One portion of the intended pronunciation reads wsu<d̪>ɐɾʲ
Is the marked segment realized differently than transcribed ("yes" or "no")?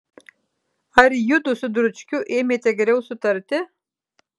yes